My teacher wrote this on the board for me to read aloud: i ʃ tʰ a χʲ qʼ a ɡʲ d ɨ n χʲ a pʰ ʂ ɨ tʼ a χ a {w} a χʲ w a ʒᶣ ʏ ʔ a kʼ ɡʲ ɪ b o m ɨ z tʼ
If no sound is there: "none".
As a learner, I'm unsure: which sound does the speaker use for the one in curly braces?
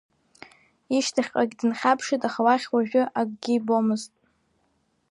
w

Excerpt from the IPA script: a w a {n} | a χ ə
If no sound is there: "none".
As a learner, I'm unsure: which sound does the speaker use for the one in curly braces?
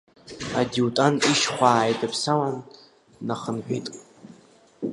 nː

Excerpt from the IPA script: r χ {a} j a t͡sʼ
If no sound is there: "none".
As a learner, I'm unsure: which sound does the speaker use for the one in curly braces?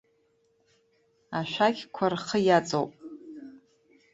ə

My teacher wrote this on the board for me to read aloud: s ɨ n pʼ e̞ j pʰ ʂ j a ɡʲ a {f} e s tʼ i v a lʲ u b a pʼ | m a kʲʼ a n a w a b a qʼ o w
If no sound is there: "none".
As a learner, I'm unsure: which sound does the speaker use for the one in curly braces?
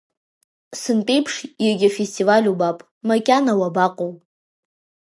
f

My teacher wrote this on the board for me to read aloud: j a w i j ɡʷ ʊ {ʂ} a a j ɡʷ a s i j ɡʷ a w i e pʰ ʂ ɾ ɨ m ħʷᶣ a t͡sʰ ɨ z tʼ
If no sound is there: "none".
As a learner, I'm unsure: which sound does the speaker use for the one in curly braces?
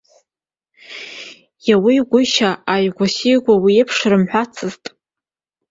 ʃ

